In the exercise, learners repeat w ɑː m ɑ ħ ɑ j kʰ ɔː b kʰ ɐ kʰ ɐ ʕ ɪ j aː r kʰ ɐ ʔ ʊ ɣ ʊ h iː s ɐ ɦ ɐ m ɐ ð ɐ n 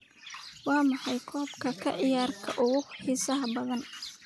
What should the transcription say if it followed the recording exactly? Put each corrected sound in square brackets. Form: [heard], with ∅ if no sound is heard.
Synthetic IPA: w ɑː m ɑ ħ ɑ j kʰ ɔː b kʰ ɐ kʰ ɐ ʕ ɪ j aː r kʰ ɐ ʔ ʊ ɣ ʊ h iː s ɐ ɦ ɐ [b] ɐ ð ɐ n